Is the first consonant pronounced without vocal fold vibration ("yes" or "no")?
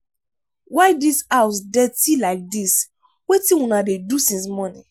no